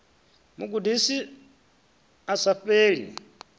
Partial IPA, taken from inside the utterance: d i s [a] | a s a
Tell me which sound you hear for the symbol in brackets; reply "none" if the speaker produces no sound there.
i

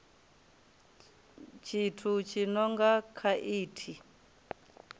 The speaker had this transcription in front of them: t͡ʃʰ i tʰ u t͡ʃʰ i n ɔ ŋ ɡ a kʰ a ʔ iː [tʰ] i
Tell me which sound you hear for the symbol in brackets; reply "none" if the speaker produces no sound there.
tʰ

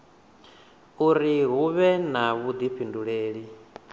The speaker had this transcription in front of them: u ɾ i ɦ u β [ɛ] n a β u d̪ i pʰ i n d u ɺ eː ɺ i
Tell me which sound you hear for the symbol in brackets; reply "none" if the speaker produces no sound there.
ɛ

